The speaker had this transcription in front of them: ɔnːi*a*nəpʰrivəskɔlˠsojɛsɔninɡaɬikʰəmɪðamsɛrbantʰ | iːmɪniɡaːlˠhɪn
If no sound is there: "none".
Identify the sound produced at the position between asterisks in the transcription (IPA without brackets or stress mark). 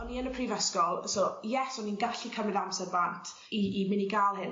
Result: ə